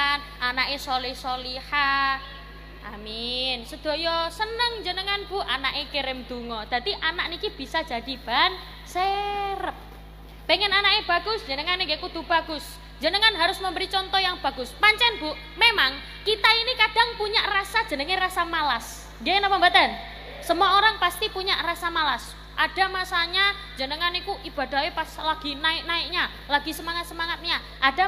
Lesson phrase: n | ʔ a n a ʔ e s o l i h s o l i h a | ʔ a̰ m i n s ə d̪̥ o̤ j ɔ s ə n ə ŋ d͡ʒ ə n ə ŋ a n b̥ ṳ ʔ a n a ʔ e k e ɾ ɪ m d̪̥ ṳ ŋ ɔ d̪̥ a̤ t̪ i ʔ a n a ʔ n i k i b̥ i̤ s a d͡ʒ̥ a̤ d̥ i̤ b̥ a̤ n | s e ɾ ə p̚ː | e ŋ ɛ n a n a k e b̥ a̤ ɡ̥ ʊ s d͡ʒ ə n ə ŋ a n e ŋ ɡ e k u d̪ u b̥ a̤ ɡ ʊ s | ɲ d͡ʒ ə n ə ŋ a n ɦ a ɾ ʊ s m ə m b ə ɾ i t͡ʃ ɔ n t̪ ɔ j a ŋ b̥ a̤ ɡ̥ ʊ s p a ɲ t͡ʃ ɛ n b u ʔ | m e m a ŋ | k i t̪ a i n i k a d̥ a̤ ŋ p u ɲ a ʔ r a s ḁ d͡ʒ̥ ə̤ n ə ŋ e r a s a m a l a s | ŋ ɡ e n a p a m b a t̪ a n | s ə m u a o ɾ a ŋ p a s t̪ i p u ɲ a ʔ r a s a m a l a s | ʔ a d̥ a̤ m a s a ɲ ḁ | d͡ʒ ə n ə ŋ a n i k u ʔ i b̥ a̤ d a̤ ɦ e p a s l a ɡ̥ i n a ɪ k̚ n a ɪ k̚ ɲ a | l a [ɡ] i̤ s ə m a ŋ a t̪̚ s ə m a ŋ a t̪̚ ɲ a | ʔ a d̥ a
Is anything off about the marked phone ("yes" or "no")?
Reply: no